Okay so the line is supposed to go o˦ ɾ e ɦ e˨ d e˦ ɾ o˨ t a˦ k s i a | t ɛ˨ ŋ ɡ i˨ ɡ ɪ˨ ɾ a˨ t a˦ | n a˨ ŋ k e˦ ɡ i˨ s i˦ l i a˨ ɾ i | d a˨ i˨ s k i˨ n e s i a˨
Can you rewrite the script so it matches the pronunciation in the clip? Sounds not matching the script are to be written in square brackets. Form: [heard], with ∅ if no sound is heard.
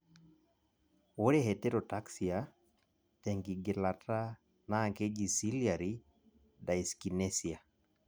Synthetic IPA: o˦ ɾ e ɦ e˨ [t] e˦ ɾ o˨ t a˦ k s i a | t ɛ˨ ŋ ɡ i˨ ɡ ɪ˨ [l] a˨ t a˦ | n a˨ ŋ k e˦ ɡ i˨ s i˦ l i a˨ ɾ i | d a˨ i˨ s k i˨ n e s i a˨

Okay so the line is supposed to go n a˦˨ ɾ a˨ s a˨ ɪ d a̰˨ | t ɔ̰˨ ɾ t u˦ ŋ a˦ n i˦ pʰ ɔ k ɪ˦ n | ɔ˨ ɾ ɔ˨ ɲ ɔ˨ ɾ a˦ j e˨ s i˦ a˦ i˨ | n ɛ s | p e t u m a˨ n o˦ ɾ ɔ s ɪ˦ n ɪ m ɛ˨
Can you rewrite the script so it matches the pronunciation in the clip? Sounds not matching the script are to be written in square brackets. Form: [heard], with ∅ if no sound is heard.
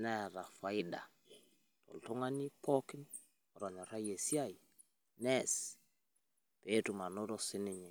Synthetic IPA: n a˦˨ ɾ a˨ [f] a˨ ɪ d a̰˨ | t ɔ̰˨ [l] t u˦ ŋ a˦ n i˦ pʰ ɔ k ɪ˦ n | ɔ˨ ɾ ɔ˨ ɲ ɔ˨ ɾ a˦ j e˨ s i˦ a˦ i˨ | n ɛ s | p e t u m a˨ n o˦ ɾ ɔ s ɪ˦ n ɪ [ɲ] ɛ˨

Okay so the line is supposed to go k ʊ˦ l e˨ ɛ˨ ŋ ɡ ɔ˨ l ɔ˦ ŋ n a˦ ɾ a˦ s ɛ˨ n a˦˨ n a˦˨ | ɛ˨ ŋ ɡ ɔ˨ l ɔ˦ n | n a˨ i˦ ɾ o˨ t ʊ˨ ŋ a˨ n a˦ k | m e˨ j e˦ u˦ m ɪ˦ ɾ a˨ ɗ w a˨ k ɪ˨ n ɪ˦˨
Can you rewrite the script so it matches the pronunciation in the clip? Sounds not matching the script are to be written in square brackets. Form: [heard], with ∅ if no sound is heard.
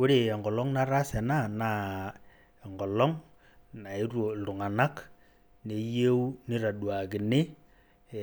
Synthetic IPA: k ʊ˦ [ɾ] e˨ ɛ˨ ŋ ɡ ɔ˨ l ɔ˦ ŋ n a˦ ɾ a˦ s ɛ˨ n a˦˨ n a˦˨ | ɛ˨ ŋ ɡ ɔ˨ l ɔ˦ [ŋ] | n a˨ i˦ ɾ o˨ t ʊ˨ ŋ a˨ n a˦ k | [n] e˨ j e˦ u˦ [n] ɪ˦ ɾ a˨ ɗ w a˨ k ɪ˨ n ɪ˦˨

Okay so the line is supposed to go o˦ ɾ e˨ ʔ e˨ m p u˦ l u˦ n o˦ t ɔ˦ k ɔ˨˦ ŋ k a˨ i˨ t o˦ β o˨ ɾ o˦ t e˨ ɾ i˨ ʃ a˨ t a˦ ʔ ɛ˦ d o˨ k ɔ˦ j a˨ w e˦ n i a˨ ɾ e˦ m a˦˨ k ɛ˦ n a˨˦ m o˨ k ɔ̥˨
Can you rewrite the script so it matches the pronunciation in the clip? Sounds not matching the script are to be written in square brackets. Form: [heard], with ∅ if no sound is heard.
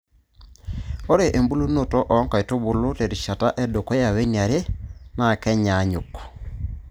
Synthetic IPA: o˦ ɾ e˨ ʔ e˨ m [b] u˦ l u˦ n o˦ t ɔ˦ [ʔ] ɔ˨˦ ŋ k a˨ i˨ t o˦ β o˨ [l] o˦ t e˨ ɾ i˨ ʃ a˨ t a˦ ʔ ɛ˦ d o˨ k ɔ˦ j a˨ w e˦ n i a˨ ɾ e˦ m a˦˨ k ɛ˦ [ɲ] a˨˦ [ɲ] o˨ k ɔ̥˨

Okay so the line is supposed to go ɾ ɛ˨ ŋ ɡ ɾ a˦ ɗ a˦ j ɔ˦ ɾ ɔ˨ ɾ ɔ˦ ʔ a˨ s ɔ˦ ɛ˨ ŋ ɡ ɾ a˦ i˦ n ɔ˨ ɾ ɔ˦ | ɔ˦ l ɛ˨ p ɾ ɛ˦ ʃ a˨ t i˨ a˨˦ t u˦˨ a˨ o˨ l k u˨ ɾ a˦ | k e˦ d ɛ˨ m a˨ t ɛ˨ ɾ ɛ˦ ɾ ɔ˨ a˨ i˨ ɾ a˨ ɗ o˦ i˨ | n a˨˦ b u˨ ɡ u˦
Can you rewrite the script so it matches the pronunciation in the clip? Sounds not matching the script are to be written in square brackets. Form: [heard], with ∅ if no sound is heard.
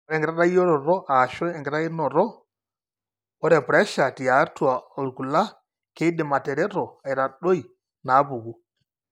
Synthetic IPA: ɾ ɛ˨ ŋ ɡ ɾ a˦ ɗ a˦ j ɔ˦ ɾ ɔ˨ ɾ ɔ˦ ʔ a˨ [ʃ] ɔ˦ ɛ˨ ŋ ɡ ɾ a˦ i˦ n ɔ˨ ɾ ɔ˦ | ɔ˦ [ɾ] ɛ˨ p ɾ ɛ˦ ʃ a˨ t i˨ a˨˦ t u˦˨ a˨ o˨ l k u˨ [l] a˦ | k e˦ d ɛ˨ m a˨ t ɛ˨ ɾ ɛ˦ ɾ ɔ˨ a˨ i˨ ɾ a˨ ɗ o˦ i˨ | n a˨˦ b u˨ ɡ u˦

